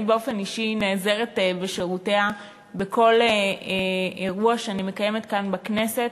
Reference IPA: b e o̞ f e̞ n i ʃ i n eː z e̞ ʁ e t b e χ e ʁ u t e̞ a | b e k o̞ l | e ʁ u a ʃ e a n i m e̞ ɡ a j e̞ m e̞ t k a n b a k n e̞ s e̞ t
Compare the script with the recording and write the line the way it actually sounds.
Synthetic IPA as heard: b e o̞ f e̞ n i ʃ i n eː z e̞ ʁ e t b e ʃ e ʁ u t e̞ a | b e k o̞ l | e ʁ u a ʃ e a n i m e̞ k a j e̞ m e̞ t k a n b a k n e̞ s e̞ t

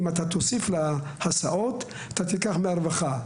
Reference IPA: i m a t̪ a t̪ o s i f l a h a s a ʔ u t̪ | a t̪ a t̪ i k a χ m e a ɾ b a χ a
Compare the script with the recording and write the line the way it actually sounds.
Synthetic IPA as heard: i m a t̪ a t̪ o s i f l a h a s a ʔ o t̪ | a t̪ a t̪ i k a χ m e a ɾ v a χ a

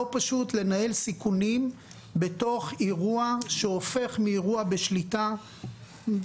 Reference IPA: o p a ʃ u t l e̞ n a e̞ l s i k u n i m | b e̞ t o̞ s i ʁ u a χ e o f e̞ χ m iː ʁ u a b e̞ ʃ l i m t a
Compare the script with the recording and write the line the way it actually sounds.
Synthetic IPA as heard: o p a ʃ u t l e̞ n a e̞ l s i k u n i m | b e̞ t o̞ χ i ʁ u a ʃ e o f e̞ χ m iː ʁ u a b e̞ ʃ l i t a

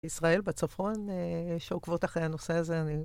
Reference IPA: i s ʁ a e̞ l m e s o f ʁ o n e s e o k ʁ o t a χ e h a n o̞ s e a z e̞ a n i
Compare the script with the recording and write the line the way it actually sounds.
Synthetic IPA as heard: i s ʁ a e̞ l b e t͡s o f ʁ o n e ʃ e o k v o t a χ e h a n o̞ s e a z e̞ a n i

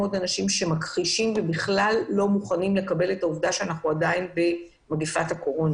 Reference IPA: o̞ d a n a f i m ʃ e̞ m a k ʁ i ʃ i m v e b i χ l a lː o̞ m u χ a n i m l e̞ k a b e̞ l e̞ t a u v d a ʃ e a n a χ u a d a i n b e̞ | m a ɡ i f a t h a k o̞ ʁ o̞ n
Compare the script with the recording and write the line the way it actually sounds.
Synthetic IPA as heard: o̞ d a n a ʃ i m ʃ e̞ m a k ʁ i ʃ i m v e b i χ l a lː o̞ m u χ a n i m l e̞ k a b e̞ l e̞ t a u v d a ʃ e a n a χ u a d a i n b e̞ | m a ɡ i f a t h a k o̞ ʁ o̞ n

